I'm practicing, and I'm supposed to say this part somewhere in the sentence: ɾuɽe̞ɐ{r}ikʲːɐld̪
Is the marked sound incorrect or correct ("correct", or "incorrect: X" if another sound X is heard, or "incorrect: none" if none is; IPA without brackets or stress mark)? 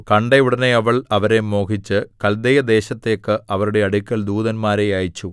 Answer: incorrect: ɽ